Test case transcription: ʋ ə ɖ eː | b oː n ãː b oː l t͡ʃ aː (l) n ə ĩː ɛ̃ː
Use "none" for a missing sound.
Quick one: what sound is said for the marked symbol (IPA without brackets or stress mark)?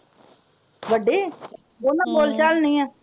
l